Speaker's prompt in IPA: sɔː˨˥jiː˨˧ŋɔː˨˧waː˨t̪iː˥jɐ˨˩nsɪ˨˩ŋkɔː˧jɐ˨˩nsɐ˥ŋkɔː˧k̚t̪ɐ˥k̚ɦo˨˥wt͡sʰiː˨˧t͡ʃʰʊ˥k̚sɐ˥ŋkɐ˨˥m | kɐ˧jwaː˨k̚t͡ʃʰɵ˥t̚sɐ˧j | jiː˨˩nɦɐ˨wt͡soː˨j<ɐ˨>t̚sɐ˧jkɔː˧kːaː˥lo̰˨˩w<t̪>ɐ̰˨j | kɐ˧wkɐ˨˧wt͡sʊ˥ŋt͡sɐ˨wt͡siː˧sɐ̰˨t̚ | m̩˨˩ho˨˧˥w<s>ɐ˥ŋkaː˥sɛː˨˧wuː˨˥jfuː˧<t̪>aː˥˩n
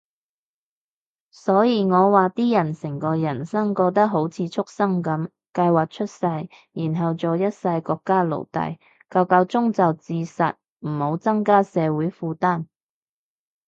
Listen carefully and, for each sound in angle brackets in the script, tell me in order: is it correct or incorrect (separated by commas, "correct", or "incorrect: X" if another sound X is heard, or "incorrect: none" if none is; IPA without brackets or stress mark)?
incorrect: ɐ˥, correct, incorrect: t͡s, correct